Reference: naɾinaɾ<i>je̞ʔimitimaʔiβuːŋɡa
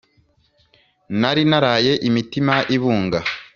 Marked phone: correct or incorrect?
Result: incorrect